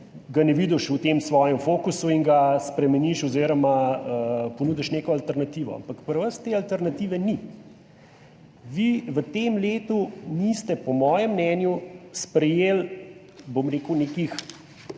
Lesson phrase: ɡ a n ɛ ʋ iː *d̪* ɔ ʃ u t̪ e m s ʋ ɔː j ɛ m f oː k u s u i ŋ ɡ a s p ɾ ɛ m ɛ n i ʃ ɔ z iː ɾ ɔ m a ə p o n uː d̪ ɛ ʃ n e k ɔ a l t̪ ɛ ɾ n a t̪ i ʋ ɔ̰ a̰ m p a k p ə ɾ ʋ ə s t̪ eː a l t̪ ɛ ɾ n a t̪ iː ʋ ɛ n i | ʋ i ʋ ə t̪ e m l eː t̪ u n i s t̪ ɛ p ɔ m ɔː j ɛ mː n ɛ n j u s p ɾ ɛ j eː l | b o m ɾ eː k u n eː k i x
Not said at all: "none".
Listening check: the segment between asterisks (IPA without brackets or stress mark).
d̪